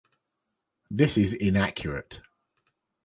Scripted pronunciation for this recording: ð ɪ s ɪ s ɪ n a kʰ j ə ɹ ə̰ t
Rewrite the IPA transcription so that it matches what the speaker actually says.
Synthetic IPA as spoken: ð ɪ s ɪ z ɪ n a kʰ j ə ɹ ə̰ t